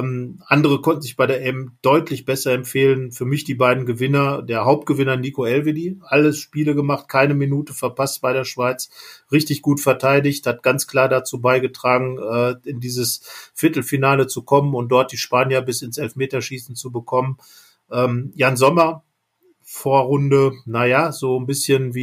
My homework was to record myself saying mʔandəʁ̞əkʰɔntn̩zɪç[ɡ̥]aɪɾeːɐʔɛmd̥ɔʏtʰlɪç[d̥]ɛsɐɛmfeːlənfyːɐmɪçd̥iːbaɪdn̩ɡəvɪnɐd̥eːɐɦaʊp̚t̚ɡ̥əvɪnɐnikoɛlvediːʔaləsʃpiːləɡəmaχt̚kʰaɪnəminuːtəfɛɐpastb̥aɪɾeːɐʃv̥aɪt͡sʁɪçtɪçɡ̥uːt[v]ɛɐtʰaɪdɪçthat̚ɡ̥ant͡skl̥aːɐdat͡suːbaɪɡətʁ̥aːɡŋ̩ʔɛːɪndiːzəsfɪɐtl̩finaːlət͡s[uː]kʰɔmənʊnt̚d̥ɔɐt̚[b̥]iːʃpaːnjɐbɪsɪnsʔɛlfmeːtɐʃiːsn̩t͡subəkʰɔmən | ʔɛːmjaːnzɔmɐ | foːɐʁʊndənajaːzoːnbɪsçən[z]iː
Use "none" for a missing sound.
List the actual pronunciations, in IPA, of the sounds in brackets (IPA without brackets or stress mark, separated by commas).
b̥, b̥, f, u, d̥, v